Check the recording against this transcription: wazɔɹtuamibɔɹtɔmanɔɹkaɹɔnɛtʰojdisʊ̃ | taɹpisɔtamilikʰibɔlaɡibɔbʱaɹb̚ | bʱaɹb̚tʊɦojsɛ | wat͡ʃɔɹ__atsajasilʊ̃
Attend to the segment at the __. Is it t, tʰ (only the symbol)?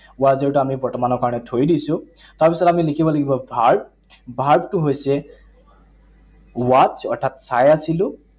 tʰ